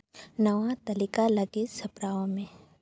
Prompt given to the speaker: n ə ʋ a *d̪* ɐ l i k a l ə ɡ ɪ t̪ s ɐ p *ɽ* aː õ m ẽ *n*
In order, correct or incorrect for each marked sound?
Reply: incorrect, incorrect, incorrect

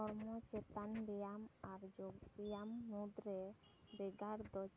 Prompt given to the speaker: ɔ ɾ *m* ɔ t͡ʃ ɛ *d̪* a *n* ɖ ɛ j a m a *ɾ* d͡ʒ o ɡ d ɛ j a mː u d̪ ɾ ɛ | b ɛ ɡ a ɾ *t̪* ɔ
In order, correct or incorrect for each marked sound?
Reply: correct, incorrect, correct, correct, incorrect

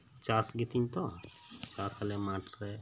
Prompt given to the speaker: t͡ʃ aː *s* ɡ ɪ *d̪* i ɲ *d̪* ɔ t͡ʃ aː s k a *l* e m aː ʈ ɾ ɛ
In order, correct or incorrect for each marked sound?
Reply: correct, incorrect, incorrect, correct

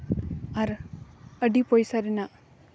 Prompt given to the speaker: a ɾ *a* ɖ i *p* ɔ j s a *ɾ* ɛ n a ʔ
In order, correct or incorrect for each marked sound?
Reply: incorrect, correct, correct

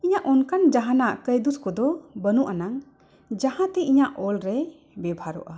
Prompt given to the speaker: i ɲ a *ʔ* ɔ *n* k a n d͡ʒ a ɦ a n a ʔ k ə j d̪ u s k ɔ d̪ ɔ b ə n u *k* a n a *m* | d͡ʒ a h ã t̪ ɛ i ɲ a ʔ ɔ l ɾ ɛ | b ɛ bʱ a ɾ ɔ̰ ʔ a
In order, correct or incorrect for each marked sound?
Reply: correct, correct, incorrect, incorrect

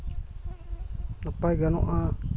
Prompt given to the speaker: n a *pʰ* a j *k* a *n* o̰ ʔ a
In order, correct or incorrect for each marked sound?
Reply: incorrect, incorrect, correct

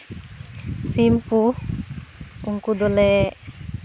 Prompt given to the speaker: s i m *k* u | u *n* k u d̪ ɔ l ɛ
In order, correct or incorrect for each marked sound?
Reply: incorrect, incorrect

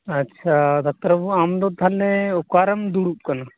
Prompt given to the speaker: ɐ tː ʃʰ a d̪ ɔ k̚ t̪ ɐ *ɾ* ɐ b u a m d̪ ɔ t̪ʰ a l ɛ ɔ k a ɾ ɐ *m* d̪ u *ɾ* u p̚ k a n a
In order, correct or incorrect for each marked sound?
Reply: correct, correct, incorrect

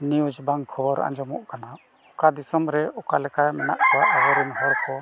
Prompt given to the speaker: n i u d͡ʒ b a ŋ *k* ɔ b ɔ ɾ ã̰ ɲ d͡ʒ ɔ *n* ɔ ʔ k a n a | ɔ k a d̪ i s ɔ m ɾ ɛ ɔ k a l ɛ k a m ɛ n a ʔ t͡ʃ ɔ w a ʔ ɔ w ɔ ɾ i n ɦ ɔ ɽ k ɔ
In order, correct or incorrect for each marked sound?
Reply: incorrect, incorrect

